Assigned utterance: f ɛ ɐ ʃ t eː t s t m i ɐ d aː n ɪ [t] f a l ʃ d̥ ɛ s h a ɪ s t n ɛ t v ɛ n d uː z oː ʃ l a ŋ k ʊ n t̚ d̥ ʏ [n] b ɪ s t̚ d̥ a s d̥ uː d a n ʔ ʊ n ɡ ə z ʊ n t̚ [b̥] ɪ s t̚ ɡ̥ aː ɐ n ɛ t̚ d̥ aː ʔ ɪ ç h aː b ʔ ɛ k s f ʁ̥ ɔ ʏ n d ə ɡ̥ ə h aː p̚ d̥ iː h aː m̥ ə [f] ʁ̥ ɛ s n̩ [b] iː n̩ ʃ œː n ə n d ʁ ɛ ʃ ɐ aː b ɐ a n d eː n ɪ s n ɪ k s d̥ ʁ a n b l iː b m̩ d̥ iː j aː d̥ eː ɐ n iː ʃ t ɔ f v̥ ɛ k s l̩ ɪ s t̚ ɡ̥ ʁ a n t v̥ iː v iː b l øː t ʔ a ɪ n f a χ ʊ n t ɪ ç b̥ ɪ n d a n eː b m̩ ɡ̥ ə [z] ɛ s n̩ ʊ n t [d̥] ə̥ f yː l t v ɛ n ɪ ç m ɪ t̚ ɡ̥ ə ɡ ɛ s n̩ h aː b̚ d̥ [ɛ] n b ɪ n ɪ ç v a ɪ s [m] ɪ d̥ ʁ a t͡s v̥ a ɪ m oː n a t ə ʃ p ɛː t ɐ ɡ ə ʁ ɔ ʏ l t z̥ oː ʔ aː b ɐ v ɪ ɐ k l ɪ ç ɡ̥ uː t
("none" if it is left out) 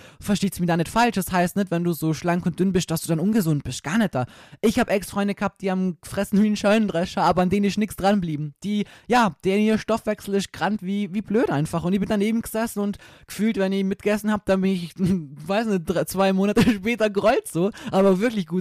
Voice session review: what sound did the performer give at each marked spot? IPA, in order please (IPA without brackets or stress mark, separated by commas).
t, n, b̥, f, v, z, ɡ̥, a, n